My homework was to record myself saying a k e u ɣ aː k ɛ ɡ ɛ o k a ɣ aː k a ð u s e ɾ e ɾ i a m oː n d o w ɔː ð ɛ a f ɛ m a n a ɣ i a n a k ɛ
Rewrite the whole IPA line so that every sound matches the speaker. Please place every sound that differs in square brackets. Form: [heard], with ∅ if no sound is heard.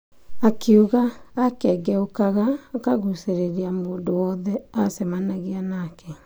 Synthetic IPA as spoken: a k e u ɣ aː k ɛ ɡ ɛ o k a ɣ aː k a [ɣ] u s e ɾ e ɾ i a m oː n d o w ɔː ð ɛ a [s] ɛ m a n a ɣ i a n a k ɛ